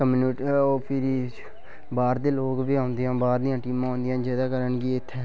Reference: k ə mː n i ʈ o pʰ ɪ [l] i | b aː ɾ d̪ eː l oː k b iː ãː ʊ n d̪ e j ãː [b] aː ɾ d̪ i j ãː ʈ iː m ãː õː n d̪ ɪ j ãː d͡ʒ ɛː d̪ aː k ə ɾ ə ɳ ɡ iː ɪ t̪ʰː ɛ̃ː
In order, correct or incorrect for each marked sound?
incorrect, correct

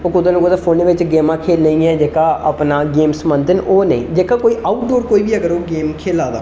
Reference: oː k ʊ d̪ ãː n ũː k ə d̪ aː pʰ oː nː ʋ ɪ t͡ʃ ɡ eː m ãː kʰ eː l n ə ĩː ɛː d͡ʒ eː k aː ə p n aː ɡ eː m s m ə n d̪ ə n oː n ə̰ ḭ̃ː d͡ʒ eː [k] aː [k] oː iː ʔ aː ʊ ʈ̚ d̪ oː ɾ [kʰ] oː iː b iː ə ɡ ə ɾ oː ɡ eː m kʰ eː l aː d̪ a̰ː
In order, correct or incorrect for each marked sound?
correct, correct, incorrect

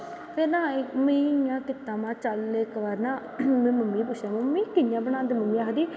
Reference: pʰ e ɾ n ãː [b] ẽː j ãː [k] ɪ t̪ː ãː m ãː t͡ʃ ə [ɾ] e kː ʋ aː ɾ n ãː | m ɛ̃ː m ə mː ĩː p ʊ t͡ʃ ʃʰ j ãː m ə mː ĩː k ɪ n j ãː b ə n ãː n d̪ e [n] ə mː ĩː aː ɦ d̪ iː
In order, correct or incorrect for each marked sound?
incorrect, correct, incorrect, incorrect

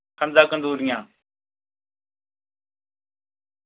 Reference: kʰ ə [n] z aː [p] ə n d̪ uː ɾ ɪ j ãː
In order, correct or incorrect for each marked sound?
correct, incorrect

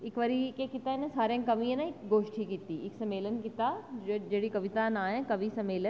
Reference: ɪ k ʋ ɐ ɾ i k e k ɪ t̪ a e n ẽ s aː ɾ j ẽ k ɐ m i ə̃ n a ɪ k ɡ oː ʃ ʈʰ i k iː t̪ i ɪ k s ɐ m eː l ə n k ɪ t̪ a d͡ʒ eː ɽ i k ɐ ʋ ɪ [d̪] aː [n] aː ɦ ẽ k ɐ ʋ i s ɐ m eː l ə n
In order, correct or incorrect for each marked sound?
incorrect, correct

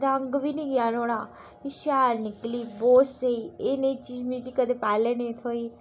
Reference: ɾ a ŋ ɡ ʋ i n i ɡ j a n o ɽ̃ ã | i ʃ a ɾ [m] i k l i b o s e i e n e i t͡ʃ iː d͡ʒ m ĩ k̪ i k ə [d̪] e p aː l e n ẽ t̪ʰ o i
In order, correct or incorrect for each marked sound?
incorrect, correct

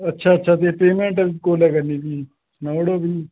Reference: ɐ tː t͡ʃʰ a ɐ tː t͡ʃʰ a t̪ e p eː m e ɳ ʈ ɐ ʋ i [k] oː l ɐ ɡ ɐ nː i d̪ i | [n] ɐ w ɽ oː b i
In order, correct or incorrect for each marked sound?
correct, correct

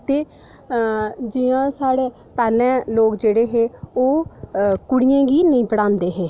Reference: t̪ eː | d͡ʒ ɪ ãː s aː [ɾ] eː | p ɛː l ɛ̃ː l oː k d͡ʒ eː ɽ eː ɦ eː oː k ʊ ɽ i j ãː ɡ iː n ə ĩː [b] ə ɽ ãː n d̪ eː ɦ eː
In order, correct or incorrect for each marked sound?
incorrect, incorrect

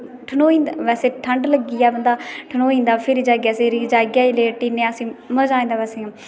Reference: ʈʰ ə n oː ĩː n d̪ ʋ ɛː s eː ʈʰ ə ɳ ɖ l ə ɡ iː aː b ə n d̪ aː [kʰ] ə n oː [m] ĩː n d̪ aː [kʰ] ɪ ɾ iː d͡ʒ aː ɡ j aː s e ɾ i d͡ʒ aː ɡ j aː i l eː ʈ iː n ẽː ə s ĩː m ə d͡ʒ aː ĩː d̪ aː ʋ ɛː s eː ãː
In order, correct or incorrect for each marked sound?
incorrect, incorrect, incorrect

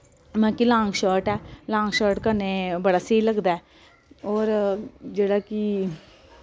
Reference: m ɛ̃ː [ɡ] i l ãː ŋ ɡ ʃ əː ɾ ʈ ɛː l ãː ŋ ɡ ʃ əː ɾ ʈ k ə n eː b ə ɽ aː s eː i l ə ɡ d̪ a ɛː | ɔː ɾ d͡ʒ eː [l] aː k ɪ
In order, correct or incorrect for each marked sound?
incorrect, incorrect

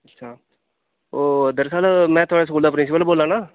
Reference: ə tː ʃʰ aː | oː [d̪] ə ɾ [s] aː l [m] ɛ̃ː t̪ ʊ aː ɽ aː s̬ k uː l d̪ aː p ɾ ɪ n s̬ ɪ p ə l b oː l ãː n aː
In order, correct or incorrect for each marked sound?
correct, correct, correct

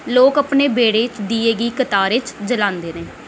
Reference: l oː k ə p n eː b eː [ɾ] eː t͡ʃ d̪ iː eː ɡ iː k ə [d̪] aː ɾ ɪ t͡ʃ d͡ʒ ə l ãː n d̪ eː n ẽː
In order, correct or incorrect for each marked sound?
incorrect, incorrect

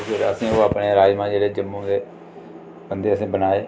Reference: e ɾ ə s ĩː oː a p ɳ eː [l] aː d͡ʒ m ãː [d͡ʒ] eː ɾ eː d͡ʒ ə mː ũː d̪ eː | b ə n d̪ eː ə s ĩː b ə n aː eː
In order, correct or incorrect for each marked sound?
incorrect, correct

